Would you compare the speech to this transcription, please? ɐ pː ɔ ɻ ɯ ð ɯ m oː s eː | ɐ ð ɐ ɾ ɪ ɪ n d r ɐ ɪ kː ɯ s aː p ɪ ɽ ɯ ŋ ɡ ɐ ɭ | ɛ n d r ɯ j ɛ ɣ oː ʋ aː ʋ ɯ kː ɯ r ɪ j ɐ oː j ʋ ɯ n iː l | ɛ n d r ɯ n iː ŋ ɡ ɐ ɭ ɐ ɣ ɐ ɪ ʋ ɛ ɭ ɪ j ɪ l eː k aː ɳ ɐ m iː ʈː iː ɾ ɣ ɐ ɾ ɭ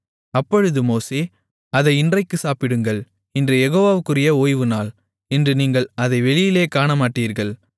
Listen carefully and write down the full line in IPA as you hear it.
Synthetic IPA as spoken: ɐ pː ɔ ɻ ɯ ð ɯ m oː s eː | ɐ ð ɐ ɪ ɪ n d r ɐ ɪ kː ɯ s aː p ɪ ɽ ɯ ŋ ɡ ɐ ɭ | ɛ n d r ɯ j ɛ ɣ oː ʋ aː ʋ ɯ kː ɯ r ɪ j ɐ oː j ʋ ɯ n aː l | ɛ n d r ɯ n iː ŋ ɡ ɐ ɭ ɐ ð ɐ ɪ ʋ ɛ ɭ ɪ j ɪ l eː k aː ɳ ɐ m aː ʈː iː ɾ ɣ ɐ ɭ

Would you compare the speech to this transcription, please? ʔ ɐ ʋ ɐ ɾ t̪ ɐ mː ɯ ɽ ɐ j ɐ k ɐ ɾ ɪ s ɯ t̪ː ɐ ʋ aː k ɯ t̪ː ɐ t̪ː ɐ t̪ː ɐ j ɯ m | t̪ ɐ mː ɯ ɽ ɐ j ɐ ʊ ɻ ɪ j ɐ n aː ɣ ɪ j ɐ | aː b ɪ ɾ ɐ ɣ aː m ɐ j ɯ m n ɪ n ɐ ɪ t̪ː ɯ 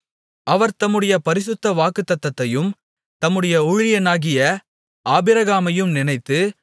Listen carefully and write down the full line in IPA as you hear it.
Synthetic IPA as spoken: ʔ ɐ ʋ ɐ ɾ t̪ ɐ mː ɯ ɽ ɐ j ɐ p ɐ ɾ ɪ s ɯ t̪ː ɐ ʋ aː k ɯ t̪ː ɐ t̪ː ɐ t̪ː ɐ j ɯ m | t̪ ɐ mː ɯ ɽ ɐ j ɐ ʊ ɻ ɪ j ɐ n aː ɣ ɪ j ɐ | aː b ɪ ɾ ɐ ɣ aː m ɐ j ɯ m n ɪ n ɐ ɪ t̪ː ɯ

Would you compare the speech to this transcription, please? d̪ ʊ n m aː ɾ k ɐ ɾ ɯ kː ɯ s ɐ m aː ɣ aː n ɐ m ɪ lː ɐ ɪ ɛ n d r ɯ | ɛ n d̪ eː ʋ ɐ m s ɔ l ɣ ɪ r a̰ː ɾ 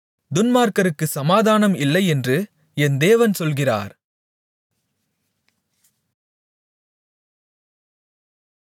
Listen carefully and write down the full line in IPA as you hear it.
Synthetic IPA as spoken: d̪ ʊ n m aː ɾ k ɐ ɾ ɯ kː ɯ s ɐ m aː ð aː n ɐ m ɪ lː ɐ ɪ ɛ n d r ɯ | ɛ n d̪ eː ʋ ɐ n s ɔ l ɣ ɪ r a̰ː ɾ

